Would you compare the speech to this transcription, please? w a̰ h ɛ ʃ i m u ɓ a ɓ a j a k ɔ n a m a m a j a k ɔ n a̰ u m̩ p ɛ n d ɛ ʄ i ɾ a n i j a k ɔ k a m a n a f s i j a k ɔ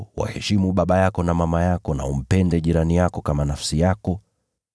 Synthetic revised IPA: w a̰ h ɛ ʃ i m u ɓ a ɓ a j a k ɔ n a m a m a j a k ɔ n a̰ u m̩ p ɛ n d ɛ ʄ i ɾ a n i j a k ɔ k a m a n a f s i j a k ɔ